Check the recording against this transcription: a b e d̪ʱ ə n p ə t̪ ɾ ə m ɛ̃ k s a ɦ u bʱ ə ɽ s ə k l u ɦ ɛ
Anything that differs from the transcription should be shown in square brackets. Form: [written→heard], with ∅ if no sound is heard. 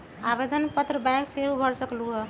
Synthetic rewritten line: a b e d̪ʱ ə n p ə t̪ ɾ ə [m→b] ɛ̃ k s [a→e] ɦ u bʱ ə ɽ s ə k l u ɦ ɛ